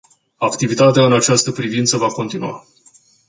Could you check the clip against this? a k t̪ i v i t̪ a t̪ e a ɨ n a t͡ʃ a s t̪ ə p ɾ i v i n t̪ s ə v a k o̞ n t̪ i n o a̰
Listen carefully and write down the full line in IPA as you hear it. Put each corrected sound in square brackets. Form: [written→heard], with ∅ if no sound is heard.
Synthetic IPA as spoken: a k t̪ i v i t̪ a t̪ e a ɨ n a t͡ʃ a s t̪ ə p ɾ i v i n t̪ s ə v a k o̞ n t̪ i n [o→u] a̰